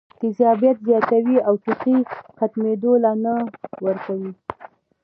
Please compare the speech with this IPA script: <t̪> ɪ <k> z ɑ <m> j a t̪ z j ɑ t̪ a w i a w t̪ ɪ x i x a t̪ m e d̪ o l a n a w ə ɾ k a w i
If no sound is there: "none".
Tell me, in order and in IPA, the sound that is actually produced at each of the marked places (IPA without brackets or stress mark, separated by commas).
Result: t̪, none, b